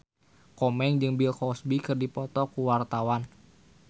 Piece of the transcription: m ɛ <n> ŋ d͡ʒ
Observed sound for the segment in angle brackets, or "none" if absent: none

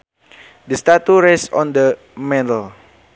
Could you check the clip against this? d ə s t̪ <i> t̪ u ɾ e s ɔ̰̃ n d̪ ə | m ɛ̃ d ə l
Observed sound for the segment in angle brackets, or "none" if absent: a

